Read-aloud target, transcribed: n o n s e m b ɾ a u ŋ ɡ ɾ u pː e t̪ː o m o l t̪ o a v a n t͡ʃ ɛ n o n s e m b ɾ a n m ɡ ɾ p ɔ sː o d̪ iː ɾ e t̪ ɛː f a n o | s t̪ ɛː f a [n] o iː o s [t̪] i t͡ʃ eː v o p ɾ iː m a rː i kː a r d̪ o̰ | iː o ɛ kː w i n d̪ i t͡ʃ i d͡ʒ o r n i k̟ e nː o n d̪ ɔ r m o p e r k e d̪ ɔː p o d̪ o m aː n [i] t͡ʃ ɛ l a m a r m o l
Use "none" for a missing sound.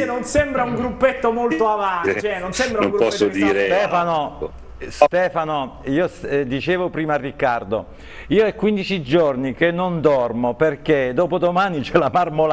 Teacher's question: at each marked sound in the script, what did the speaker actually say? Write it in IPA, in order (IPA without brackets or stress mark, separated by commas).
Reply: n, d̪, i